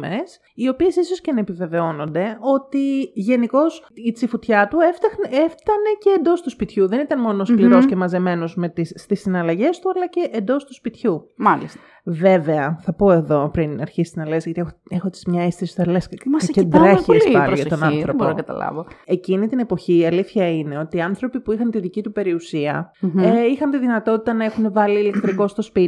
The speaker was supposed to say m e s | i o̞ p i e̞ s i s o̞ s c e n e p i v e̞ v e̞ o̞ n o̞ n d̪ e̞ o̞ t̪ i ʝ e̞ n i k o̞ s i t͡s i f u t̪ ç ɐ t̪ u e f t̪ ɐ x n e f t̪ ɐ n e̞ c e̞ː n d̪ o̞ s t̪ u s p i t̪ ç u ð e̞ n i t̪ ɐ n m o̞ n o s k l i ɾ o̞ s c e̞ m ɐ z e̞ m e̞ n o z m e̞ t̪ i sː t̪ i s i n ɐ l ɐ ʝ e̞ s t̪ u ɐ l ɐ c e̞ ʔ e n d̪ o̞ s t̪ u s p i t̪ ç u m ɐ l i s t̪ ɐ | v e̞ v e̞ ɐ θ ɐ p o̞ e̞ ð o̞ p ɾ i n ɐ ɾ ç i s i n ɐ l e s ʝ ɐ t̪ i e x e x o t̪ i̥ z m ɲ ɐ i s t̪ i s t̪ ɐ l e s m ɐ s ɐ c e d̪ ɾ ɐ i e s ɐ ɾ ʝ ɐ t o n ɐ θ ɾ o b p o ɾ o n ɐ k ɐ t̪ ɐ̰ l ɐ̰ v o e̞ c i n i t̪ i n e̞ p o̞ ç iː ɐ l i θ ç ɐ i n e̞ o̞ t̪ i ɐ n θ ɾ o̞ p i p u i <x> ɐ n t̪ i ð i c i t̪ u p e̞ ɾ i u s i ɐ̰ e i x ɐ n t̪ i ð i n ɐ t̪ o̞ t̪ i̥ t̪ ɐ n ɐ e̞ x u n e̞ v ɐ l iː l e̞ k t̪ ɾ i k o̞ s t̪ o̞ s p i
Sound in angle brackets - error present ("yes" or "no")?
no